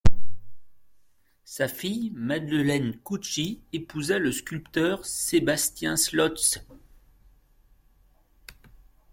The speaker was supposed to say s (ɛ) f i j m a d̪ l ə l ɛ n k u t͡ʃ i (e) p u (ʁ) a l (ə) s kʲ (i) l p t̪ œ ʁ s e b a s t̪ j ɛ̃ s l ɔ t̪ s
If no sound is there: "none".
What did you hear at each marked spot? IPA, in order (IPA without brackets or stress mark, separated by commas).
a, e, z, ə, y